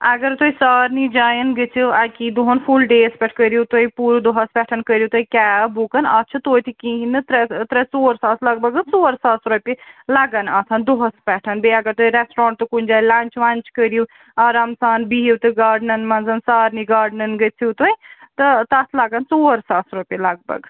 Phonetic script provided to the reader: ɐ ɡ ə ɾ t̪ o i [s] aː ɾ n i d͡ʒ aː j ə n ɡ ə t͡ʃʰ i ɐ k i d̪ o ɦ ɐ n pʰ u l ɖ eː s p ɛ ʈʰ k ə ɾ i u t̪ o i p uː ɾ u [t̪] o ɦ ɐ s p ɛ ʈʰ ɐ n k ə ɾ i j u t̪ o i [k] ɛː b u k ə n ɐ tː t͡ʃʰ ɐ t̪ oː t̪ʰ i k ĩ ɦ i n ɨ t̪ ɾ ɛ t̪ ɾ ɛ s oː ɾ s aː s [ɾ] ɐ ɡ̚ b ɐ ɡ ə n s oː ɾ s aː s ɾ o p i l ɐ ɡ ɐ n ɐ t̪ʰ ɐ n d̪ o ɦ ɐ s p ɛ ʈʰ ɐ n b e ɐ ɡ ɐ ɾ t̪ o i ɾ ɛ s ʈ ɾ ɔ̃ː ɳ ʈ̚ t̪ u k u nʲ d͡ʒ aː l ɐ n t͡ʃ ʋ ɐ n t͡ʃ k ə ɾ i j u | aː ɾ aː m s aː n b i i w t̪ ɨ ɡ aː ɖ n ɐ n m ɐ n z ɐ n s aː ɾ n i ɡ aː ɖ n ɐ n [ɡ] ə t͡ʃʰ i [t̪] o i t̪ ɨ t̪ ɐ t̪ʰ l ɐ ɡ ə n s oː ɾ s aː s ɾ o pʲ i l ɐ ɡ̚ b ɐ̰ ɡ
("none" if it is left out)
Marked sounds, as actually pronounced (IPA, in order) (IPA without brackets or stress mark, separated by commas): s, d̪, k, l, ɡ, t̪